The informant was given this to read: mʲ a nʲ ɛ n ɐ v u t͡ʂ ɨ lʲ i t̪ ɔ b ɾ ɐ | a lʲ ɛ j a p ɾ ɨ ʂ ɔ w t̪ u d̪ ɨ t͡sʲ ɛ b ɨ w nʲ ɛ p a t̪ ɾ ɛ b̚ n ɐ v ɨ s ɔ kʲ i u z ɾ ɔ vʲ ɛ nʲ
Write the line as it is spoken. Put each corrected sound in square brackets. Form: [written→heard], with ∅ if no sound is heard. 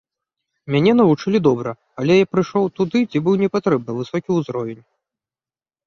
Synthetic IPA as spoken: mʲ a nʲ ɛ n ɐ v u t͡ʂ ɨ lʲ i [t̪→d̪] ɔ b ɾ ɐ | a lʲ ɛ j a p ɾ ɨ ʂ ɔ w t̪ u d̪ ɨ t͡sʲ [ɛ→i] b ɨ w nʲ ɛ p a t̪ ɾ ɛ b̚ n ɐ v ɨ s ɔ kʲ i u z ɾ ɔ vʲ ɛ nʲ

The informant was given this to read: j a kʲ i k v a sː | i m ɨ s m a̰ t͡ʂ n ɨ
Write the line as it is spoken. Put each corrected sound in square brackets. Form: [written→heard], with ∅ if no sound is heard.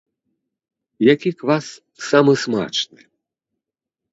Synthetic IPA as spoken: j a kʲ i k v a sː | [i→a] m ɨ s m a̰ t͡ʂ n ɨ

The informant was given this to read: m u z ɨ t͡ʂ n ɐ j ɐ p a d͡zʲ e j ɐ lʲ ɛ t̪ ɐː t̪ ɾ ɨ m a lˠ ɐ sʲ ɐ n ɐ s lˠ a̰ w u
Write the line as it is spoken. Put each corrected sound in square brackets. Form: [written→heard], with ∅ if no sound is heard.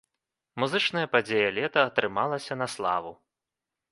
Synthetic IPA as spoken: m u z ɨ t͡ʂ n ɐ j ɐ p a d͡zʲ e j ɐ lʲ ɛ t̪ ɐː t̪ ɾ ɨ m a lˠ ɐ sʲ ɐ n ɐ s lˠ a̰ [w→v] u

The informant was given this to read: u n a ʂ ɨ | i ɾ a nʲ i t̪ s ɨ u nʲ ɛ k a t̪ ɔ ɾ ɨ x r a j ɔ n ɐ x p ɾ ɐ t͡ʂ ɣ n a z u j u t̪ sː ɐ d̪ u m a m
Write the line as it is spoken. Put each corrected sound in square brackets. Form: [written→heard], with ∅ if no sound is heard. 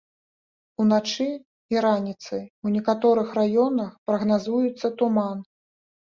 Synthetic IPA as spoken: u n a [ʂ→t͡ʂ] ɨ | i ɾ a nʲ i t̪ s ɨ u nʲ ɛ k a t̪ ɔ ɾ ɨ x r a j ɔ n ɐ x p ɾ ɐ [t͡ʂ→∅] ɣ n a z u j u t̪ sː ɐ [d̪→t̪] u m a [m→n]

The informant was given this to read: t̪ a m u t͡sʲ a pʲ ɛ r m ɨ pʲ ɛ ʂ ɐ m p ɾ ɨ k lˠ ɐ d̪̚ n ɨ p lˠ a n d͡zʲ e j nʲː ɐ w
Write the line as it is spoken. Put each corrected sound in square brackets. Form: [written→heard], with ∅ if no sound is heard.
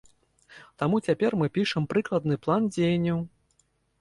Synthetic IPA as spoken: t̪ a m u t͡sʲ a pʲ ɛ r m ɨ pʲ [ɛ→i] ʂ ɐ m p ɾ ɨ k lˠ ɐ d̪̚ n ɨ p lˠ a n d͡zʲ e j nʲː ɐ w

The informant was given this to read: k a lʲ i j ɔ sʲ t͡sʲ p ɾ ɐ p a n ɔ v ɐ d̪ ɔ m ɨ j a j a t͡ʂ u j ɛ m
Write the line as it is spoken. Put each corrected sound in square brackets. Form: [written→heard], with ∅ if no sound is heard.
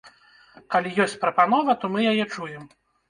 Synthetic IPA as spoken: k a lʲ i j ɔ sʲ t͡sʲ p ɾ ɐ p a n ɔ v ɐ [d̪→t̪] ɔ m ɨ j a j [a→ɛ] t͡ʂ u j ɛ m

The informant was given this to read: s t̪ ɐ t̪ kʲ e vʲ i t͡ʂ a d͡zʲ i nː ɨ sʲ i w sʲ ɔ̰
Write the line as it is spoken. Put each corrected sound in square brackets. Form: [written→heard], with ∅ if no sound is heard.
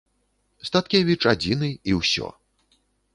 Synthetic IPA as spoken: s t̪ [ɐ→a] t̪ kʲ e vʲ i t͡ʂ a d͡zʲ i [nː→n] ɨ [sʲ→∅] i w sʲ ɔ̰

